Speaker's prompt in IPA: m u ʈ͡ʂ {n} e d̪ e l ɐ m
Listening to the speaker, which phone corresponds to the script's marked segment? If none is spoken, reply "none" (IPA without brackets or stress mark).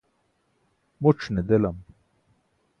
n